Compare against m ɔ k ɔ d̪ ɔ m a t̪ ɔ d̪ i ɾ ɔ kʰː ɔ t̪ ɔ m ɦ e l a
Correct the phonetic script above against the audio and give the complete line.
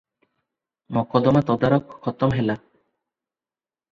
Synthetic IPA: m ɔ k ɔ d̪ ɔ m a t̪ ɔ d̪ a ɾ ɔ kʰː ɔ t̪ ɔ m ɦ e l a